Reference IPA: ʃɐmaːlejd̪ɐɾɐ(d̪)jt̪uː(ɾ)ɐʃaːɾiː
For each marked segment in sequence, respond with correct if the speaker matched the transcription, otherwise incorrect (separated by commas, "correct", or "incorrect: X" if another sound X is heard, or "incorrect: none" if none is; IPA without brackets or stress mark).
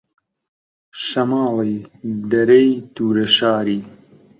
incorrect: none, correct